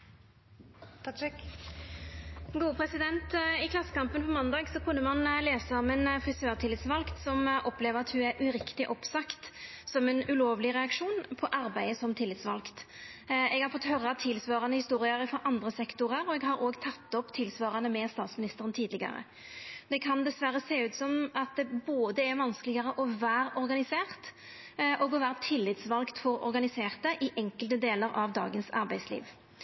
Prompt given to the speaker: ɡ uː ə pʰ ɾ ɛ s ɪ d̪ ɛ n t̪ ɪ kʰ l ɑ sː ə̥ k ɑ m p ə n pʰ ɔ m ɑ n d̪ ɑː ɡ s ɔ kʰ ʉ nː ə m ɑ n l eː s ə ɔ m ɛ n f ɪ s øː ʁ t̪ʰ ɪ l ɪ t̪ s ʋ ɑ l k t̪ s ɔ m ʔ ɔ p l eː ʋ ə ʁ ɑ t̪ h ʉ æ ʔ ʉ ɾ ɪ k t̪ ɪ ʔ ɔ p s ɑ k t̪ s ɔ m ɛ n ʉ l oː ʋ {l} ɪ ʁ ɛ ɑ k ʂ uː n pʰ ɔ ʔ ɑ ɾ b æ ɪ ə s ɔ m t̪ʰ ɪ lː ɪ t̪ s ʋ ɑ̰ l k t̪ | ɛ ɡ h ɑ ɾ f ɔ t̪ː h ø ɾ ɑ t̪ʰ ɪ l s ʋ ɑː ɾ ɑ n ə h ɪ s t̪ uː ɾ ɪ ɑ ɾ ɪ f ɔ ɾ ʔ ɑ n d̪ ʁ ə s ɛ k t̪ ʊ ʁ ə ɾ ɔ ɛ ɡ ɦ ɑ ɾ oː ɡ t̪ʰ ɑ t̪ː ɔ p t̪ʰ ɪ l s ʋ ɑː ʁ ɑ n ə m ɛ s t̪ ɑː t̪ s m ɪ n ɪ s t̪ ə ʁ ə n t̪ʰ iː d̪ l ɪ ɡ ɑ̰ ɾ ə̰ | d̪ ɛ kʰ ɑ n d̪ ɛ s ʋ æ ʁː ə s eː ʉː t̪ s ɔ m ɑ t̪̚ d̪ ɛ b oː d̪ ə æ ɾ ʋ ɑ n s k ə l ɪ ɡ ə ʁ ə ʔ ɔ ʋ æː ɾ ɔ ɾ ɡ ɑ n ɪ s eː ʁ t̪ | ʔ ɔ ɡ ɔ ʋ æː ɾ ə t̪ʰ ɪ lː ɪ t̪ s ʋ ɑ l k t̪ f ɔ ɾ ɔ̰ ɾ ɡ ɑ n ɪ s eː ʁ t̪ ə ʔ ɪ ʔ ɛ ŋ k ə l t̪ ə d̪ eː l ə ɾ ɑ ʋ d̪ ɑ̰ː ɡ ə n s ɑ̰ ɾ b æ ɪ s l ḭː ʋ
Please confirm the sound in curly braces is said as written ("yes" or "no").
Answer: yes